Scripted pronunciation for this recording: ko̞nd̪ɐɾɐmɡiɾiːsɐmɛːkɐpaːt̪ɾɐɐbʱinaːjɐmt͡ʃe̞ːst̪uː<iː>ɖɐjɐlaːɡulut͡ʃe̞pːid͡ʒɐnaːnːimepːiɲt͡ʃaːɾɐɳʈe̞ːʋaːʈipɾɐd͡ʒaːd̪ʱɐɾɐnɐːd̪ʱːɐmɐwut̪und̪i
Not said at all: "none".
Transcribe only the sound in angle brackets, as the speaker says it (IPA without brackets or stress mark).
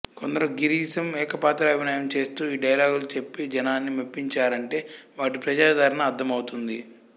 iː